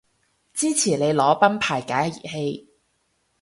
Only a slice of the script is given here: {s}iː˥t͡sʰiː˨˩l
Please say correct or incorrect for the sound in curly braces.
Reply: incorrect: t͡s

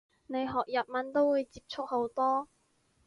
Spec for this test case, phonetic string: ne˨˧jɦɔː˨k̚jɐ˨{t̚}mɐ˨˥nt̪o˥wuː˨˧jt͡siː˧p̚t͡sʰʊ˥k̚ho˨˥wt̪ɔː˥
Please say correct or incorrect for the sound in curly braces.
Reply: incorrect: p̚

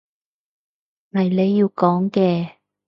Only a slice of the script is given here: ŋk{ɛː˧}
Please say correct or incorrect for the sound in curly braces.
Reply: correct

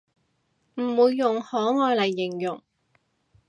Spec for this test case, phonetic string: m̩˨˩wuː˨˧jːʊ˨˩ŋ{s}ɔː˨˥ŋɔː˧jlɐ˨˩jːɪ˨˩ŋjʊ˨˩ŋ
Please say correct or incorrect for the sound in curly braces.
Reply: incorrect: h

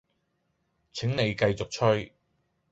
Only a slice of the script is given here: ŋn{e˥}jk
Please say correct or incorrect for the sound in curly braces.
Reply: incorrect: e˨˧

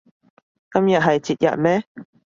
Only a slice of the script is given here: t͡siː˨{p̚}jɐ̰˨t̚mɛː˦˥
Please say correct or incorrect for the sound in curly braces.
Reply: incorrect: t̚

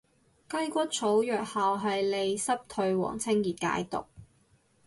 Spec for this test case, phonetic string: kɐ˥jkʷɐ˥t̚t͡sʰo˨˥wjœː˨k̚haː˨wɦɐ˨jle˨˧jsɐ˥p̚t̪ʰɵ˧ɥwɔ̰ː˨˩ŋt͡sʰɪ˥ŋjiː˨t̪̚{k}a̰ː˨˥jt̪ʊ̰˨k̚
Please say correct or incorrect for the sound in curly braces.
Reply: correct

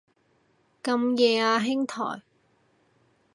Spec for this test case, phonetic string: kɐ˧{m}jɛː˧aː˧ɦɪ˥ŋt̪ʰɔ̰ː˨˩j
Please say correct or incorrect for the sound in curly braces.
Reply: correct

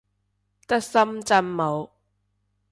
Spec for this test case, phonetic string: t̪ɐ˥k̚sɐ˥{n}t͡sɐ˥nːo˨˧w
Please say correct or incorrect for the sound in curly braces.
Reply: incorrect: m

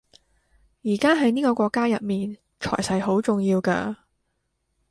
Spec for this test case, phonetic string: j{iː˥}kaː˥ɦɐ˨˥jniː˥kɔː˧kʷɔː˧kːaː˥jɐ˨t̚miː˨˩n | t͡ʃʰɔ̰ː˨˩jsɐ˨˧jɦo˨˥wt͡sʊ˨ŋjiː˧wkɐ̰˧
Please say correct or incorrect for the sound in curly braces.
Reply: incorrect: iː˨˩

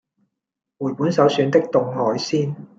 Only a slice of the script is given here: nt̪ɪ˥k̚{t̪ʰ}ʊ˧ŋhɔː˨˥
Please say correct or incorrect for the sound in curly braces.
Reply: incorrect: t̪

